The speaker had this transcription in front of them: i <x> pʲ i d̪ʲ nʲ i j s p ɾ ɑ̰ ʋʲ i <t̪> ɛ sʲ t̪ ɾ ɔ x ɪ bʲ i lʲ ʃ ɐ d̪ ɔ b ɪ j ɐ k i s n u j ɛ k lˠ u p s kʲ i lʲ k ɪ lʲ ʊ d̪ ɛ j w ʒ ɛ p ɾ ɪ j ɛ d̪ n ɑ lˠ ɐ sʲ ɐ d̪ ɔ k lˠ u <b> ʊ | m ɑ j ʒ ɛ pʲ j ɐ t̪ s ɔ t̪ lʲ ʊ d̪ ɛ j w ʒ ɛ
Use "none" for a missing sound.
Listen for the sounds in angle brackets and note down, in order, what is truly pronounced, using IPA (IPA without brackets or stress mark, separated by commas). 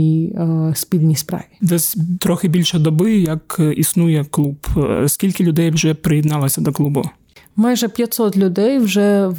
s, d̪, b